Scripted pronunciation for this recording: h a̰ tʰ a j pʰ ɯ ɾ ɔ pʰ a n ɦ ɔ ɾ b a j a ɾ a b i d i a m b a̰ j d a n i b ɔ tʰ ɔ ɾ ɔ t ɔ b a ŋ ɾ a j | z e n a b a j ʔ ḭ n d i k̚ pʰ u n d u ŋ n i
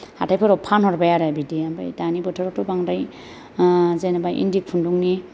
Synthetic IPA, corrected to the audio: h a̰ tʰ a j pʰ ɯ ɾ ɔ pʰ a n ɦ ɔ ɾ b a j a ɾ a b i d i a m b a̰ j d a n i b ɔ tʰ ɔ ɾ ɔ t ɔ b a ŋ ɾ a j | z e n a b a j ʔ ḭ n d i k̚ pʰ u n d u ŋ n i